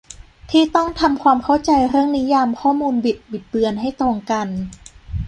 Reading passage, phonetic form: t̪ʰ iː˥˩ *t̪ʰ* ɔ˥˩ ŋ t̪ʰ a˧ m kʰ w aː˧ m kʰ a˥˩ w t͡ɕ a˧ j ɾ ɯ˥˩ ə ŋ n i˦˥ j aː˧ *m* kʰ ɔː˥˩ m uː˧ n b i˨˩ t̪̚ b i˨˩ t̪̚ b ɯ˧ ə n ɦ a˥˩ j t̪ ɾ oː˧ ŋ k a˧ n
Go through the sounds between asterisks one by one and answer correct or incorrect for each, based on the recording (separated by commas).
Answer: incorrect, correct